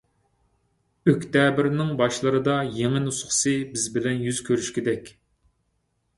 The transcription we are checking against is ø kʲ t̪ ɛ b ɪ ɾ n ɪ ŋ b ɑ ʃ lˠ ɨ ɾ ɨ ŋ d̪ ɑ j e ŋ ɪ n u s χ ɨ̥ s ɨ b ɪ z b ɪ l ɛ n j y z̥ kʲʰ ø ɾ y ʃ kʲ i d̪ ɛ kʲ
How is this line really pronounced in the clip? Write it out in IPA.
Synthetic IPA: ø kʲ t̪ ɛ b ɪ ɾ n ɪ ŋ b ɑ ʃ lˠ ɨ ɾ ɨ d̪ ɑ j e ŋ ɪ n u s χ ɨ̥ s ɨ b ɪ z b ɪ l ɛ n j y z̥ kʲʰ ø ɾ y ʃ kʲ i d̪ ɛ kʲ